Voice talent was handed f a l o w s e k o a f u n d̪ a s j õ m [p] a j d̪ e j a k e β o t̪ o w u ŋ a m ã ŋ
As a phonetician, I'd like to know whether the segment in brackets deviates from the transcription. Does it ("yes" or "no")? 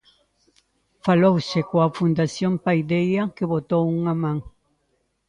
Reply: no